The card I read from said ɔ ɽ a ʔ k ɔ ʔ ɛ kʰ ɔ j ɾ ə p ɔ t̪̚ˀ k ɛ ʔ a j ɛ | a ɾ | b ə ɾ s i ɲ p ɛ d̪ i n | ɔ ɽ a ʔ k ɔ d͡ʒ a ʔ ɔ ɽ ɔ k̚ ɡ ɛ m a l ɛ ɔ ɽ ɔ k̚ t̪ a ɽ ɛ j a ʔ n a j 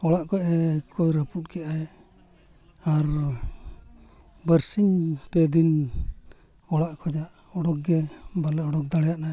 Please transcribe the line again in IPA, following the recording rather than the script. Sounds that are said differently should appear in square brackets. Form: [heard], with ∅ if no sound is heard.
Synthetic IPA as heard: ɔ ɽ a ʔ k ɔ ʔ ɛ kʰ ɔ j ɾ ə p [u] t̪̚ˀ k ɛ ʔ a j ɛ | a ɾ | b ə ɾ s i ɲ p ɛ d̪ i n | ɔ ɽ a ʔ k ɔ d͡ʒ a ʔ ɔ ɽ ɔ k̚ ɡ ɛ [b] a l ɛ ɔ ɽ ɔ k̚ [d̪] a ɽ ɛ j a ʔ n a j